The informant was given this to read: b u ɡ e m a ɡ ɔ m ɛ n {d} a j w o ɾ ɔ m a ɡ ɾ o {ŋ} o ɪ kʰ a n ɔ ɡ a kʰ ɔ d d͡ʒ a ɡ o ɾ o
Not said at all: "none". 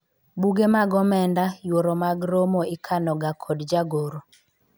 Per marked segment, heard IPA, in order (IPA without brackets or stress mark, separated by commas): d, m